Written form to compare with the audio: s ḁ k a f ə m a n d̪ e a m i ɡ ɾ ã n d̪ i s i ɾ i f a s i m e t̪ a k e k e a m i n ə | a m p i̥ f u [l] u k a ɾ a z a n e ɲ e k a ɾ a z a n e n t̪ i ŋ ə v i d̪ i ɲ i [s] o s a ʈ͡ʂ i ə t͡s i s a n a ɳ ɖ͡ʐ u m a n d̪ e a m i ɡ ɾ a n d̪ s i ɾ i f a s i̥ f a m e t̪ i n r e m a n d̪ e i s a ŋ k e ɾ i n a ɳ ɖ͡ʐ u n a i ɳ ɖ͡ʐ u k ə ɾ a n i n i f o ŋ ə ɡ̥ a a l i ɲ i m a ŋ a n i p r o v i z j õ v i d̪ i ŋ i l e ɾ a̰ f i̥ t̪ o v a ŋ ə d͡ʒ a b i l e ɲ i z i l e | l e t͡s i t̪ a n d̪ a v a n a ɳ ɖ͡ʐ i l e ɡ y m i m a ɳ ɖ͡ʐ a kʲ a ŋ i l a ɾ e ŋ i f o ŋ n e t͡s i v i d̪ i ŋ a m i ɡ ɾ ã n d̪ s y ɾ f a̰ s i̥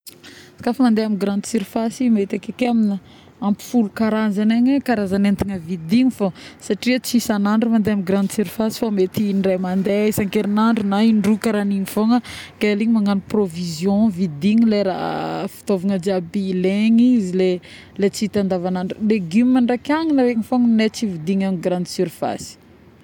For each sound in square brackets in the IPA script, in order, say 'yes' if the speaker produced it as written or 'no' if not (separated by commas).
yes, no